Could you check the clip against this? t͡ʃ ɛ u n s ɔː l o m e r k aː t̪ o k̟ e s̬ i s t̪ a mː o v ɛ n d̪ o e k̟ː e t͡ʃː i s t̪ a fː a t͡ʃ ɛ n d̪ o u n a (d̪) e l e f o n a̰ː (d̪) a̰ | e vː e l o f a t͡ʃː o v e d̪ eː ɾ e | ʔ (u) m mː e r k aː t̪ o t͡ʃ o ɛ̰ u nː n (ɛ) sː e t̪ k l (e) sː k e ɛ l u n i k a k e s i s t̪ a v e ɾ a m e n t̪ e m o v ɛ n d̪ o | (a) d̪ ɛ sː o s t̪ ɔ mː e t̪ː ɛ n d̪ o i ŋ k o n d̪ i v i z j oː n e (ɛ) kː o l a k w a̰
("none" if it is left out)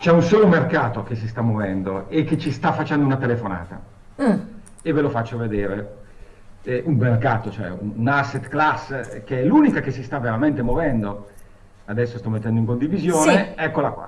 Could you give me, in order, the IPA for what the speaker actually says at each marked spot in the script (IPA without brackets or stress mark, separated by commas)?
t̪, t̪, u, a, a, a, ɛ